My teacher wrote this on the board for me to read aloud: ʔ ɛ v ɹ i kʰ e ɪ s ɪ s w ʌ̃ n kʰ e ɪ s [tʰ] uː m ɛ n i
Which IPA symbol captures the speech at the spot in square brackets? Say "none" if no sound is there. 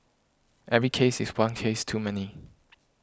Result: tʰ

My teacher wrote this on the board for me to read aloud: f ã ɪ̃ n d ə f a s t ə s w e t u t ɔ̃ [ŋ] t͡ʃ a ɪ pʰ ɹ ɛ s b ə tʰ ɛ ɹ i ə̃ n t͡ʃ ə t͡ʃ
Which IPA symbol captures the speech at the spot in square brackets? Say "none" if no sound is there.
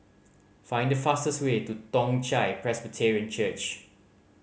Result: ŋ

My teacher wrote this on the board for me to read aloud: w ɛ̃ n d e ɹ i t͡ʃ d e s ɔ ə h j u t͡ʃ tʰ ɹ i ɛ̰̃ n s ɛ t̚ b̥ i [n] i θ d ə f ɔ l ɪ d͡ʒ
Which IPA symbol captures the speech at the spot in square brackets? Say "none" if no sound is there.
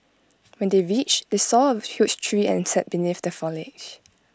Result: n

